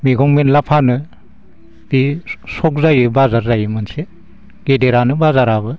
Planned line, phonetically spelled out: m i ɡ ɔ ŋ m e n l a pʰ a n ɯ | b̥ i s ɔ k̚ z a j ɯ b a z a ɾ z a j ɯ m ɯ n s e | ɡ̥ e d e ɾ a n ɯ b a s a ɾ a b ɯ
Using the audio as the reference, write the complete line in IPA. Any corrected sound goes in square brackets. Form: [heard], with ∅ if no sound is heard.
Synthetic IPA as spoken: m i ɡ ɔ ŋ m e n l a pʰ a n ɯ | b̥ i s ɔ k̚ z a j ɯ b a z a ɾ z a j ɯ m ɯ n s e | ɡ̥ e d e ɾ a n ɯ b a [z] a ɾ a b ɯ